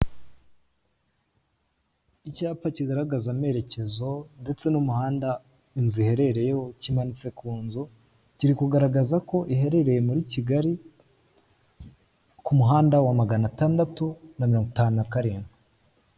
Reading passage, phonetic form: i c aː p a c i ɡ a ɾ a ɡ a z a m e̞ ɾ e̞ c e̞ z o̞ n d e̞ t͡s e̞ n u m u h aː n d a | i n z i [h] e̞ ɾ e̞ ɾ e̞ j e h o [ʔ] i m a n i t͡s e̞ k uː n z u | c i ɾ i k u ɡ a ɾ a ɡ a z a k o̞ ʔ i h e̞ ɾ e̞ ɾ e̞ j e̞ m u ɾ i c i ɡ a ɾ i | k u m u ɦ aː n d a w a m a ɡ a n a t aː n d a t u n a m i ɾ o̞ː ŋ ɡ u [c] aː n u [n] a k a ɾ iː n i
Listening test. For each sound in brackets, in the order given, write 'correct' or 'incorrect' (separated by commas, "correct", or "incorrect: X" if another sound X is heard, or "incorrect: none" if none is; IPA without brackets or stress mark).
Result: correct, incorrect: c, incorrect: t, correct